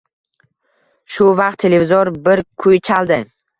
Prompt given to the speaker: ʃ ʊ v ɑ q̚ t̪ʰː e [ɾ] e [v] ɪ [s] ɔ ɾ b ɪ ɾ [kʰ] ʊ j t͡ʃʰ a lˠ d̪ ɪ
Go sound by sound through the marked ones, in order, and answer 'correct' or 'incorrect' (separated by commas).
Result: incorrect, correct, incorrect, correct